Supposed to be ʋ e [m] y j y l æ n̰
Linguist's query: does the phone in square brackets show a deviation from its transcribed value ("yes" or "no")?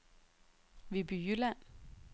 yes